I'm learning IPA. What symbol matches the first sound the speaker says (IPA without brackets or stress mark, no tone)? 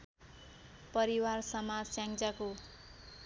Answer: p